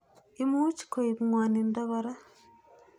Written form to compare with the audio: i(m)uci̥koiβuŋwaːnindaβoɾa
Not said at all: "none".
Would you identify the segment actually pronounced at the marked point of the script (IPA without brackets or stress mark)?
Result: m